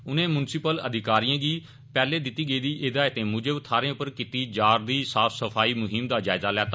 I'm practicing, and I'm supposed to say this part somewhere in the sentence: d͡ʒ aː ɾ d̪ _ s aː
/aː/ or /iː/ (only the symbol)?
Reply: iː